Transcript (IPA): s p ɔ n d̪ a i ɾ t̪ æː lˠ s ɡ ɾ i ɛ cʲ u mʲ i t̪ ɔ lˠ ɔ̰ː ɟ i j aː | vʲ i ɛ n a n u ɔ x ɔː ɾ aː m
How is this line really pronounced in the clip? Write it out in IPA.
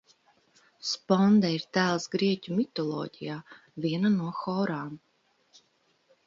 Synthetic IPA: s p ɔ n d̪ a i ɾ t̪ æː lˠ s ɡ ɾ i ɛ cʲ u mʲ i t̪ ɔ lˠ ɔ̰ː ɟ i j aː | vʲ i ɛ n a n u ɔ x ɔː ɾ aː m